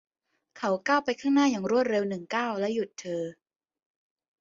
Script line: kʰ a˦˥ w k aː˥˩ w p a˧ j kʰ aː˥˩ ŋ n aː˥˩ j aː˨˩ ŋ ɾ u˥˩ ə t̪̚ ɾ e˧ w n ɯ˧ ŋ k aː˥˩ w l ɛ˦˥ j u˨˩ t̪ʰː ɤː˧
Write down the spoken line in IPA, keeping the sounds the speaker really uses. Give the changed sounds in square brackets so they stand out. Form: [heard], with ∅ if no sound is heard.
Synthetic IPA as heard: kʰ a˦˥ w k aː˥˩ w p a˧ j kʰ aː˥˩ ŋ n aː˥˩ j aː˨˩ ŋ ɾ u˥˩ ə t̪̚ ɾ e˧ w n [ɯ˨˩] ŋ k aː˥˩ w l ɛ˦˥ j u˨˩ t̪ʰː ɤː˧